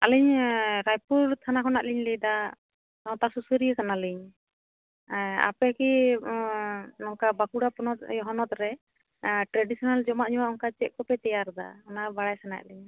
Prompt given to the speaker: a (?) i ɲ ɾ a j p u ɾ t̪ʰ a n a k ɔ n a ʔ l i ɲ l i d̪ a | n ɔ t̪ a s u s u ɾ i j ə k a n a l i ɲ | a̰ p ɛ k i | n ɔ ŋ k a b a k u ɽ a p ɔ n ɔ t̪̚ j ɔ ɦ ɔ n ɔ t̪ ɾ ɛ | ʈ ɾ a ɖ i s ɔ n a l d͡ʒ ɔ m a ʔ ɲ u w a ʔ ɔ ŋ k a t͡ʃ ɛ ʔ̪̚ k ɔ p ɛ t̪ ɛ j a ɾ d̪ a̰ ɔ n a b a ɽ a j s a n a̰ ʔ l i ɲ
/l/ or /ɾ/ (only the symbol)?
l